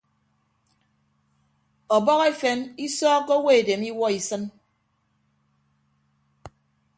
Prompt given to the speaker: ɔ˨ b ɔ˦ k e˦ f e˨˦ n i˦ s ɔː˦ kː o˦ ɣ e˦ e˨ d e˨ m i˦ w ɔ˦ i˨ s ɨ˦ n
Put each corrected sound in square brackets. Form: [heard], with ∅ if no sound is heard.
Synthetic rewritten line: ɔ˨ b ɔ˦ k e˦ f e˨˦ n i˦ s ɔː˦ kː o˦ [w] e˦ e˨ d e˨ m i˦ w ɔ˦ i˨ s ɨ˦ n